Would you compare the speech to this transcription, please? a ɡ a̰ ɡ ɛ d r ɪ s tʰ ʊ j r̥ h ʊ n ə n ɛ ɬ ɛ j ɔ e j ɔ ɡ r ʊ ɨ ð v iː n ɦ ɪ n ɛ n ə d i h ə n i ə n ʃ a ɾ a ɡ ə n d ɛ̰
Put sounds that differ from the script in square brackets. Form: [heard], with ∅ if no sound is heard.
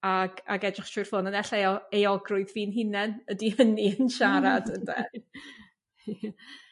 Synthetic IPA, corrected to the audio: a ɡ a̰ ɡ ɛ d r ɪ [χ] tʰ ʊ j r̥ [f] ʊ n ə n ɛ ɬ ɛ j ɔ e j ɔ ɡ r ʊ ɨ ð v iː n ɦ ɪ n ɛ n ə d i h ə n i ə n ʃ a ɾ a [d] ə n d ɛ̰